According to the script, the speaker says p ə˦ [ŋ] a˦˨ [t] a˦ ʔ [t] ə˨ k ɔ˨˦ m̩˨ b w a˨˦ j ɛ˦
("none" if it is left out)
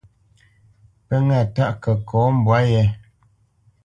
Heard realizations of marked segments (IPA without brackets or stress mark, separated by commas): ŋ, t, k